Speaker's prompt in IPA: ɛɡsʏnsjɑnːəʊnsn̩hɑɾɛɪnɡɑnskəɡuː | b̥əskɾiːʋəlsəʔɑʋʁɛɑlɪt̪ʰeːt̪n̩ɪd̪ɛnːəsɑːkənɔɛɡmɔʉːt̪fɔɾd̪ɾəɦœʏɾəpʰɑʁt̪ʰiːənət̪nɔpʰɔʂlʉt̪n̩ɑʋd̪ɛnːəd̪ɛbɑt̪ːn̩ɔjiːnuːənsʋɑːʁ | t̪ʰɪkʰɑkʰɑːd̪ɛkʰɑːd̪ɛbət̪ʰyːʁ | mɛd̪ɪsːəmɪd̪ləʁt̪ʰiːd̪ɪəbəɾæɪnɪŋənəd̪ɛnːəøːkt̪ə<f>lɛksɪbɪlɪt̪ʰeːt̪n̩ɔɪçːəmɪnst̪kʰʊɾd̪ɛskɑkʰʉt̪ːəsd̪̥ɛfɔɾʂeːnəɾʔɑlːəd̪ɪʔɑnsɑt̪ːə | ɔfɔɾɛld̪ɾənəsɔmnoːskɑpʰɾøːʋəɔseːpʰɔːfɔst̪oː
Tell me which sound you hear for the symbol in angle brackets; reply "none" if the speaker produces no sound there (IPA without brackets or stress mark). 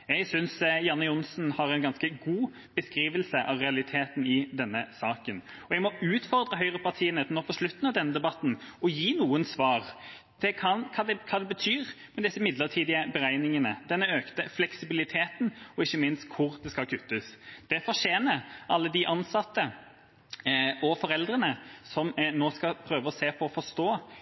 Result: f